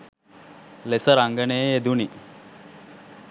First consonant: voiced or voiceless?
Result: voiced